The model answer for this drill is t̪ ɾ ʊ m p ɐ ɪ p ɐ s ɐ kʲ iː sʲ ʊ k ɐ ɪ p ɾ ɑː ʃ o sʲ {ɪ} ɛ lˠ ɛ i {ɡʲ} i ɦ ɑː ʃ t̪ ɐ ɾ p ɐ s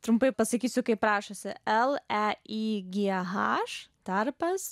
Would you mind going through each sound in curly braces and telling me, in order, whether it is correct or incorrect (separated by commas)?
correct, correct